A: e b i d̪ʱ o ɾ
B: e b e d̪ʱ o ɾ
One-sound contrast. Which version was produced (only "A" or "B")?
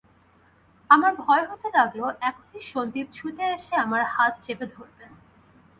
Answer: B